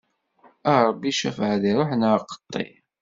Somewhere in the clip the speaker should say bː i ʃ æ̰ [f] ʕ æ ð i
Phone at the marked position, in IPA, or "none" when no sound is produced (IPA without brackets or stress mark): f